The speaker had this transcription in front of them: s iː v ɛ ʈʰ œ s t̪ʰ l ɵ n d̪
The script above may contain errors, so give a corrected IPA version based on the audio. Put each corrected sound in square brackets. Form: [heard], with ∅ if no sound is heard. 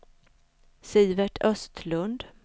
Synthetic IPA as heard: s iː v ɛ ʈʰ œ s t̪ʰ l ɵ n d̪